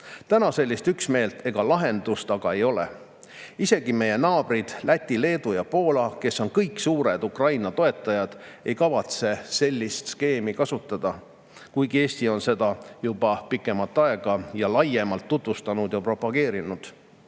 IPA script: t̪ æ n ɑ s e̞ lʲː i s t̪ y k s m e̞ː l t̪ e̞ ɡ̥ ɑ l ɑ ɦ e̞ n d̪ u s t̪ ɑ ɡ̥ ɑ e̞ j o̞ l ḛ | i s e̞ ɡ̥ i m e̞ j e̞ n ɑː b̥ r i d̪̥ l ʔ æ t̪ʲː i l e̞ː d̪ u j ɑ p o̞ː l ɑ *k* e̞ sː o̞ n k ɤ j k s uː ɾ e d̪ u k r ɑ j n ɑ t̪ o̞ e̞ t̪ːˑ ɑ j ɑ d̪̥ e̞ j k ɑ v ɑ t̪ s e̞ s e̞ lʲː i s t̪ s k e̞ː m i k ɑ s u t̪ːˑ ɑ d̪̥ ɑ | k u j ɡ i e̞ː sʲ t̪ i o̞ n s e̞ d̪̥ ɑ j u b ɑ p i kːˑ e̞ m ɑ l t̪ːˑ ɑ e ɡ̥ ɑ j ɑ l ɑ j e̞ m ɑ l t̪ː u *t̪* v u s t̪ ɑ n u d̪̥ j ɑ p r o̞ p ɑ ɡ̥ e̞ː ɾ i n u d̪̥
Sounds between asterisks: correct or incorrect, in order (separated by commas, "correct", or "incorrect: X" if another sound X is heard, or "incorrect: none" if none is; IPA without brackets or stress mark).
correct, correct